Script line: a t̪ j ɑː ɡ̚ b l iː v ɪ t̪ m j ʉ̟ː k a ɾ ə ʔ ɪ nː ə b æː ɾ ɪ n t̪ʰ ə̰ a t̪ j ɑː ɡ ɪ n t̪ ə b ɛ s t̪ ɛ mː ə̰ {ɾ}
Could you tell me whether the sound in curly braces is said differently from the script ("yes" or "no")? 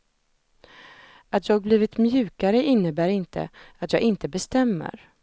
no